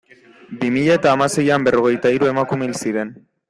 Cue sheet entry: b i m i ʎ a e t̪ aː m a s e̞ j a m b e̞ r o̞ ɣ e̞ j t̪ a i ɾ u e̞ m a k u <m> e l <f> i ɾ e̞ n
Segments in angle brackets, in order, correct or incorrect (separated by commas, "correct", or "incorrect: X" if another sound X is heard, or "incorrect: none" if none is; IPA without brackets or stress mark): correct, incorrect: s